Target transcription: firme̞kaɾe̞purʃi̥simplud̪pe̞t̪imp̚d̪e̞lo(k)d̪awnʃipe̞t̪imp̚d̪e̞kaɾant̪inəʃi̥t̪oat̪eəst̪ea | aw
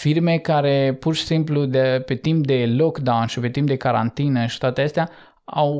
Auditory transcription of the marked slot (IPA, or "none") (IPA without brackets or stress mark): k